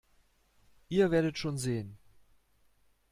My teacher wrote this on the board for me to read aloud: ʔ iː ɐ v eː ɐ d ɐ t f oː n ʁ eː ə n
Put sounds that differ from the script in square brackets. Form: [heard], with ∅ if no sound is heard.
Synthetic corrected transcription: ʔ iː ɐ v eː ɐ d [ə] t [ʃ] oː n [z] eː ə n